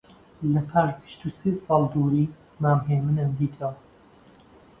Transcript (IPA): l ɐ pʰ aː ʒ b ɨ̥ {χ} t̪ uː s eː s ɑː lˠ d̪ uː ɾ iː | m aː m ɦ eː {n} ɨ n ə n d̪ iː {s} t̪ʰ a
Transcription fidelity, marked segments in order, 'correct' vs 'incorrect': incorrect: ʃ, incorrect: m, incorrect: none

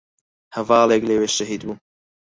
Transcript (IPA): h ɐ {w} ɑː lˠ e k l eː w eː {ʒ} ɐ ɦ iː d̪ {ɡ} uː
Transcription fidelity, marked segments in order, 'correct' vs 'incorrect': incorrect: v, incorrect: ʃ, incorrect: b

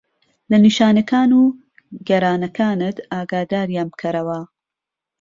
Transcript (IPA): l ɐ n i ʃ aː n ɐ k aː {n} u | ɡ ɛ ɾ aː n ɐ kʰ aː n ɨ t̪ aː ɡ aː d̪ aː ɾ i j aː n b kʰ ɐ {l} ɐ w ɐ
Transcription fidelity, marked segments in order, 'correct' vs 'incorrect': correct, incorrect: ɾ

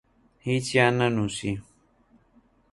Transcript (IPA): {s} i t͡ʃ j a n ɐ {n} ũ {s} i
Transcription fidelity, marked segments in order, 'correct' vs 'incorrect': incorrect: h, correct, correct

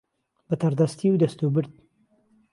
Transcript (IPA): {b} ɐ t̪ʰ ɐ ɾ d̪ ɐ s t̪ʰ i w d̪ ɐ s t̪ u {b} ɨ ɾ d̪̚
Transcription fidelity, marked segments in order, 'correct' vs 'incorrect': correct, correct

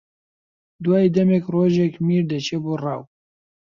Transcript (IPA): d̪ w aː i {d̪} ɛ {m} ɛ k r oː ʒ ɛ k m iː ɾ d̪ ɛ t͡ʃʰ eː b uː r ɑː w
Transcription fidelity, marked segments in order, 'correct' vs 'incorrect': correct, correct

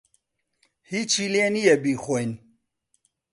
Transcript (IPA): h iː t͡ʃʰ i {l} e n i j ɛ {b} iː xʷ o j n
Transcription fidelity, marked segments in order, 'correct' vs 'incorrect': correct, correct

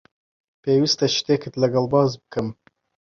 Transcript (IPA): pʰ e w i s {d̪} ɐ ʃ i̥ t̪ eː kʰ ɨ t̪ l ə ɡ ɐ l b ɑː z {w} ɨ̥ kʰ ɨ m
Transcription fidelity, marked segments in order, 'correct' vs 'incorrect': incorrect: t̪, incorrect: b

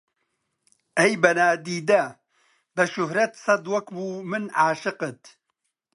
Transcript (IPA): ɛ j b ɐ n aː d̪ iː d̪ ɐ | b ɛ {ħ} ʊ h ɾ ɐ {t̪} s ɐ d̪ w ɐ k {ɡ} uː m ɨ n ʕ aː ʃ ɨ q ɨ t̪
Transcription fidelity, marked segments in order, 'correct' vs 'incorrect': incorrect: ʃ, correct, incorrect: b

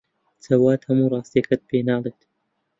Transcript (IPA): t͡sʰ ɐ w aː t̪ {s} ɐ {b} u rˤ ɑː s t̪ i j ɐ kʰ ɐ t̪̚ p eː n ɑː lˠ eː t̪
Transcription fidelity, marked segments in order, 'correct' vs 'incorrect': incorrect: h, incorrect: m

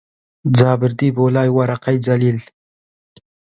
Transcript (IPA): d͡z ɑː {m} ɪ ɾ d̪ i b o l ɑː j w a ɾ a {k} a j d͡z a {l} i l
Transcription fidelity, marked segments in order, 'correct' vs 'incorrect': incorrect: b, incorrect: q, correct

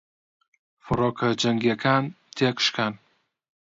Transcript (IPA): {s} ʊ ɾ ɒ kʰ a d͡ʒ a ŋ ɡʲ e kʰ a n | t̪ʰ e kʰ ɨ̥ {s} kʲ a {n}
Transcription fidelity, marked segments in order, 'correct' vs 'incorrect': incorrect: f, incorrect: ʃ, correct

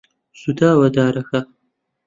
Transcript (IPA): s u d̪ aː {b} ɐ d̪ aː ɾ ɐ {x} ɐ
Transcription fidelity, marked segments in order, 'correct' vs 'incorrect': incorrect: w, correct

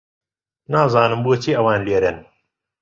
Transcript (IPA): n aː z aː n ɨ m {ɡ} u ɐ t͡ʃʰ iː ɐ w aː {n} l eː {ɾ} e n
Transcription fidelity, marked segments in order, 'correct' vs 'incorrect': incorrect: b, correct, correct

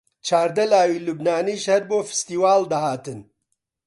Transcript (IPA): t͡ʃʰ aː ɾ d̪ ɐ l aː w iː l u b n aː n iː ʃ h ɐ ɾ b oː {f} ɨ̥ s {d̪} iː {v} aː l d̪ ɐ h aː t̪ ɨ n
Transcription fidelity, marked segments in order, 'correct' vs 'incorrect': correct, incorrect: t̪, incorrect: w

